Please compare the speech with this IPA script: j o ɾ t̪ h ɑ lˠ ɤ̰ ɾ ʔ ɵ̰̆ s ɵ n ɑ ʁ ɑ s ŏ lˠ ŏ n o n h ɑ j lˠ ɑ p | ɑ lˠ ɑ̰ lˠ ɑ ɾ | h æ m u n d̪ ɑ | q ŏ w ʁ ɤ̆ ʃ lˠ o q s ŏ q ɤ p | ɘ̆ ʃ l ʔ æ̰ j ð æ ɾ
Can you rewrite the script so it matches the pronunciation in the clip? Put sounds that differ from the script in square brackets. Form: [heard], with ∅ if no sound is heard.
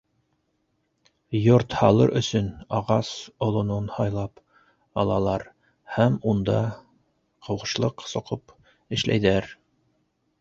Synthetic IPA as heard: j o ɾ t̪ h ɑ lˠ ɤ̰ ɾ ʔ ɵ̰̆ s ɵ n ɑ ʁ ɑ s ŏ lˠ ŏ n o n h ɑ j lˠ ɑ p | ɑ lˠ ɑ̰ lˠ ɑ ɾ | h æ m u n d̪ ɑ | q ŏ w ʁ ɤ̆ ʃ lˠ [ɤ] q s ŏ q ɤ p | ɘ̆ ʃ l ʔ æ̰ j ð æ ɾ